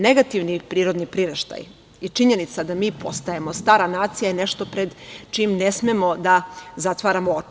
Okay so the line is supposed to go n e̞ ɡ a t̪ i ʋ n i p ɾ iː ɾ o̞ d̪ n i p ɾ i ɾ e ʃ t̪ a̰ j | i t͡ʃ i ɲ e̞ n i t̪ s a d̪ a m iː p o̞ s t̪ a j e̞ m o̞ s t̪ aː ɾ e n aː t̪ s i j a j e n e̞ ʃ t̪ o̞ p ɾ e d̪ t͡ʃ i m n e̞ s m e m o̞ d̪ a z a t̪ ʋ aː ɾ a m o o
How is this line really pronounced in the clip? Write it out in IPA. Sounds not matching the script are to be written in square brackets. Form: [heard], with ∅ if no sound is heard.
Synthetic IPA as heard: n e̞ ɡ a t̪ i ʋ n i p ɾ iː ɾ o̞ d̪ n i p ɾ i ɾ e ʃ t̪ a̰ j | i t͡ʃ i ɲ e̞ n i t̪ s a d̪ a m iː p o̞ s t̪ a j e̞ m o̞ s t̪ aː ɾ [a] n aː t̪ s i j a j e n e̞ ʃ t̪ o̞ p ɾ e d̪ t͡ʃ i m n e̞ s m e m o̞ d̪ a z a t̪ ʋ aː ɾ a m o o